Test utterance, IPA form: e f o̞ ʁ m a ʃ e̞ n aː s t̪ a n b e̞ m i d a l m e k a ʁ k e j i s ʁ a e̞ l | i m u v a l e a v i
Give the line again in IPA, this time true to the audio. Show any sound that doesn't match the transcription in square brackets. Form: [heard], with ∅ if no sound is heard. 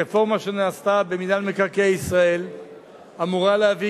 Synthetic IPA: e f o̞ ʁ m a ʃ e̞ n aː s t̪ a [∅] b e̞ m i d a l m e k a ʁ k e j i s ʁ a e̞ l | [a] m u [ʁ] a l e a v i